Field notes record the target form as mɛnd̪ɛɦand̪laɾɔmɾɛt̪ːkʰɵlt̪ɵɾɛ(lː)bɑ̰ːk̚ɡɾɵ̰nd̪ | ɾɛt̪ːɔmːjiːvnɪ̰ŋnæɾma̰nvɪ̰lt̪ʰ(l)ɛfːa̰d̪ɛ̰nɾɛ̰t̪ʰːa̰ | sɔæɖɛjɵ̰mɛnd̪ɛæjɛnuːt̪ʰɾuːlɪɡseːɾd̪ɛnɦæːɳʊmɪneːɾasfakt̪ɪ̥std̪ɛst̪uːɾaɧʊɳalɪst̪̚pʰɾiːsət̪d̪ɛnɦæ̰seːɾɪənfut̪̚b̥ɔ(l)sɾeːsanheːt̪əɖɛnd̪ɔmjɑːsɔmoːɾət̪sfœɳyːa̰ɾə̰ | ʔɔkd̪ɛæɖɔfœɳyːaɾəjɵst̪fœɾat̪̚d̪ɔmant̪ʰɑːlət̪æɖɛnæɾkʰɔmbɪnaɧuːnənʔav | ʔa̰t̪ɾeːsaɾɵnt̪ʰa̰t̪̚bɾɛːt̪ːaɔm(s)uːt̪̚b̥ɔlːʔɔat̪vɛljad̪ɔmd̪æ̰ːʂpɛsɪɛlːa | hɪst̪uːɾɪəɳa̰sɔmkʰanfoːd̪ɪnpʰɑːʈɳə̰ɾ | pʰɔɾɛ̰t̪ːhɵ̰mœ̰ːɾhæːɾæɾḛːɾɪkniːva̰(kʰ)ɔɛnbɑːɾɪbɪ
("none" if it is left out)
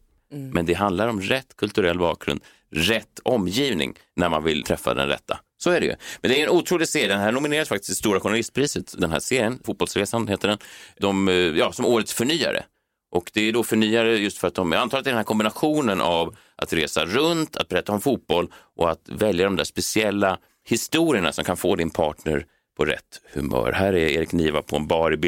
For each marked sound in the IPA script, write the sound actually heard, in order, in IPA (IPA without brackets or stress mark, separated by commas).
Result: lː, ɾ, l, f, pʰ